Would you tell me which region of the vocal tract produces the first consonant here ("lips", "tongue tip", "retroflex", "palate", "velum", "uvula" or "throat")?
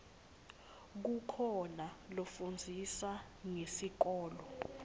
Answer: velum